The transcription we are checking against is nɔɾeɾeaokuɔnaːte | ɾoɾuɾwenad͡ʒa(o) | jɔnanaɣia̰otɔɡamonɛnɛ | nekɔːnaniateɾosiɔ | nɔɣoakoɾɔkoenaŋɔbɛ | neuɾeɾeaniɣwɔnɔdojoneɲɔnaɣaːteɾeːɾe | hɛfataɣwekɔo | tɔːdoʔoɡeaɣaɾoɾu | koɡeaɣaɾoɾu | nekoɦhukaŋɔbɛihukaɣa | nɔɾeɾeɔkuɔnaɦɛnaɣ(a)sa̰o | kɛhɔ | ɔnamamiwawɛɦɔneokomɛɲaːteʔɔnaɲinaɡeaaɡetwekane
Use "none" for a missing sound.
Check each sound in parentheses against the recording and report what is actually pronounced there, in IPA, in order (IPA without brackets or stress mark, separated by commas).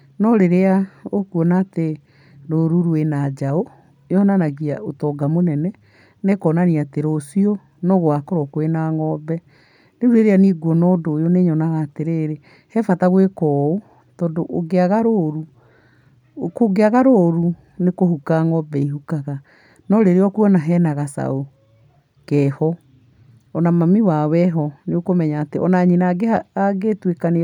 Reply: o, a